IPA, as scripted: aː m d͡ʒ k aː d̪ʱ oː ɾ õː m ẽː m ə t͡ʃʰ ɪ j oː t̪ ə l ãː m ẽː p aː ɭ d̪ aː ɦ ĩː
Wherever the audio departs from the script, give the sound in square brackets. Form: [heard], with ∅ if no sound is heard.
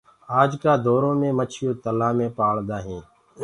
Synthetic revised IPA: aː [∅] d͡ʒ k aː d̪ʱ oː ɾ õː m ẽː m ə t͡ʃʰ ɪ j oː t̪ ə l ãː m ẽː p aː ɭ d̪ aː ɦ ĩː